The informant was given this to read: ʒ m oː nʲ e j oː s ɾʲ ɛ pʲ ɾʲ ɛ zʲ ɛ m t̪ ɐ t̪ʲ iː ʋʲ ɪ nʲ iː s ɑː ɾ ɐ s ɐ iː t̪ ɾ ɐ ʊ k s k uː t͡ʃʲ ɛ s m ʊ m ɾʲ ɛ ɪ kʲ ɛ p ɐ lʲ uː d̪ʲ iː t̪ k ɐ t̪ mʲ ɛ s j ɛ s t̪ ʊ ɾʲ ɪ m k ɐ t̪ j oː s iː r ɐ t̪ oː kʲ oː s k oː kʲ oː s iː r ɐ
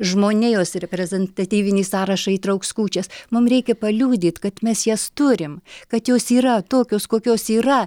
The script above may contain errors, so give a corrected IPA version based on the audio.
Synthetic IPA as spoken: ʒ m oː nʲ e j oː s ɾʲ ɛ pʲ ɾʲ ɛ zʲ ɛ n t̪ ɐ t̪ʲ iː ʋʲ ɪ nʲ iː s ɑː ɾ ɐ ʃ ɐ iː t̪ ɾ ɐ ʊ k s k uː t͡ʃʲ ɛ s m ʊ m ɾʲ ɛ ɪ kʲ ɛ p ɐ lʲ uː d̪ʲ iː t̪ k ɐ t̪ mʲ ɛ s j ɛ s t̪ ʊ ɾʲ ɪ m k ɐ t̪ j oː s iː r ɐ t̪ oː kʲ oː s k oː kʲ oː s iː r ɐ